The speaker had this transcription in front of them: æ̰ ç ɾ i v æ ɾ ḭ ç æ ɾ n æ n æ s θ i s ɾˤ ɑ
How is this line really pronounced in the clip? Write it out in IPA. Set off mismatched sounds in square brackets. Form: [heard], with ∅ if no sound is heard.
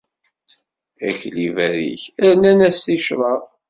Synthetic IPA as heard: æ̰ ç [l] i v æ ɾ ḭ ç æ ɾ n æ n æ s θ i [ʃ] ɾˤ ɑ